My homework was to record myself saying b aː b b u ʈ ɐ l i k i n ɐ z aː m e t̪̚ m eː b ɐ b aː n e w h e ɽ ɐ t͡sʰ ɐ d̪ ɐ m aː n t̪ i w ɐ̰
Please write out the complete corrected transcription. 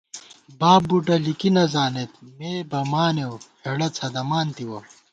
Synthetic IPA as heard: b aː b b u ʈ ɐ l i k i n ɐ z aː n e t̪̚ m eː b ɐ m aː n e w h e ɽ ɐ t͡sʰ ɐ d̪ ɐ m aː n t̪ i w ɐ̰